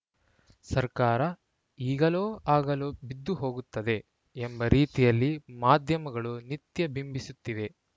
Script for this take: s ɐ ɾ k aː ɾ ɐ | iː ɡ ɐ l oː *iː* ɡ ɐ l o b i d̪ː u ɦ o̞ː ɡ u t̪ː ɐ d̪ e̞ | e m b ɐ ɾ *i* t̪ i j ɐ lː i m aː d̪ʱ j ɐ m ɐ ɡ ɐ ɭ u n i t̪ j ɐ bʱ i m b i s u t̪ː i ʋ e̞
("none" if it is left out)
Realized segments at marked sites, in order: aː, iː

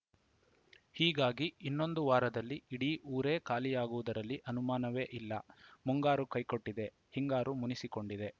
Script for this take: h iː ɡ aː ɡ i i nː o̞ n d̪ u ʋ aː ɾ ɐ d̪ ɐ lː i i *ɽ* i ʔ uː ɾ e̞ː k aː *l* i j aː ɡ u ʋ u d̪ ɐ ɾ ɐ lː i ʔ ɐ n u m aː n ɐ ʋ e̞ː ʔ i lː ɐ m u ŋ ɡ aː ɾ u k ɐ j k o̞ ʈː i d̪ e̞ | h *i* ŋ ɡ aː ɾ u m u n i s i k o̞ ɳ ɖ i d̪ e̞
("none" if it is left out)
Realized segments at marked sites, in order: ɽ, l, i

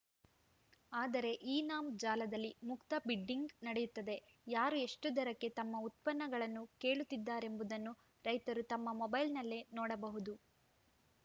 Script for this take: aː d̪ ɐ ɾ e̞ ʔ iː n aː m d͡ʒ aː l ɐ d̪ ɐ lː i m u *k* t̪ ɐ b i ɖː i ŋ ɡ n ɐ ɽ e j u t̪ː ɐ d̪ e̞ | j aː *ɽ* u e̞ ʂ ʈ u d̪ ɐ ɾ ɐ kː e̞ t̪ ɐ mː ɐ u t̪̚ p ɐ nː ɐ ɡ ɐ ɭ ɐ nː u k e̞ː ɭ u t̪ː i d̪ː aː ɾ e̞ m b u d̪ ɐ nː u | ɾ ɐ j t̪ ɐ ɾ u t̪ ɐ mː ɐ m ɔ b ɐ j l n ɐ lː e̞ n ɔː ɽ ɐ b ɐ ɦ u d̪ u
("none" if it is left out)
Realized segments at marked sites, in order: k, ɾ

